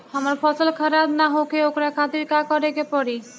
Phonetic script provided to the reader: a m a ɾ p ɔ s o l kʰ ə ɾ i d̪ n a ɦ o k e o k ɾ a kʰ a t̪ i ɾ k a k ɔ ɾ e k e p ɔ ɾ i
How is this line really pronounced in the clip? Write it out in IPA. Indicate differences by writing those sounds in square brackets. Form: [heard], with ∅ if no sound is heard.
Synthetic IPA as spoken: a m a ɾ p ɔ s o l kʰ [a] ɾ [a] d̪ n a ɦ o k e o k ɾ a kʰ a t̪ i ɾ k a k ɔ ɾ e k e p ɔ ɾ i